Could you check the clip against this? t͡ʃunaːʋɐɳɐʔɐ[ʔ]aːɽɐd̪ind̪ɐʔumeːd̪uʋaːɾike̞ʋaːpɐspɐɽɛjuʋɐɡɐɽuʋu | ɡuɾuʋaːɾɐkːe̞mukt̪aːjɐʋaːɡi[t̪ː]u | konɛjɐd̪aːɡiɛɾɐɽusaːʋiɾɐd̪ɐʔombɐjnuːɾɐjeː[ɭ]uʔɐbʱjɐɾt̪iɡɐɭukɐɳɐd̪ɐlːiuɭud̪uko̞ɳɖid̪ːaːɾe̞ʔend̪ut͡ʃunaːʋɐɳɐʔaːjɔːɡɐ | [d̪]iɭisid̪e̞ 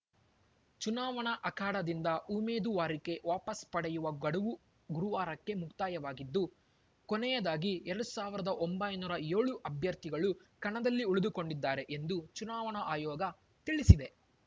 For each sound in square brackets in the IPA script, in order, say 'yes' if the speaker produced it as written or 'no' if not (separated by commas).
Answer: no, no, yes, no